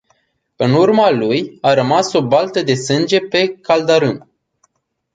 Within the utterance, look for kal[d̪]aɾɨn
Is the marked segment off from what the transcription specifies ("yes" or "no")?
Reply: no